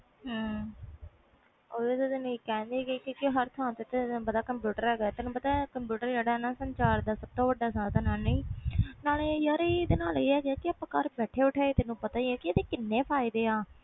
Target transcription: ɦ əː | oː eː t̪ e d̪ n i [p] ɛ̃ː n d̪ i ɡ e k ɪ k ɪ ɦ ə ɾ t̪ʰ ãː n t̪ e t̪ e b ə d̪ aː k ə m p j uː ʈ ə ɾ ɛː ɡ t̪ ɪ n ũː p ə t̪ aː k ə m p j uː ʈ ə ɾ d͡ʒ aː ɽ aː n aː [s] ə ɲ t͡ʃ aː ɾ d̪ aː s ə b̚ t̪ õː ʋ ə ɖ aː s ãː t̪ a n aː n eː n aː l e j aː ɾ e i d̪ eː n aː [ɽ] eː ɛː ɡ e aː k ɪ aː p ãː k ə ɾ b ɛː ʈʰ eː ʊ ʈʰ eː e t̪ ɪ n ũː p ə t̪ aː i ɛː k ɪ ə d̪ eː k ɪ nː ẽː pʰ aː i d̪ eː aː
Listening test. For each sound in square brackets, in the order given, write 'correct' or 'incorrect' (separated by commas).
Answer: incorrect, correct, incorrect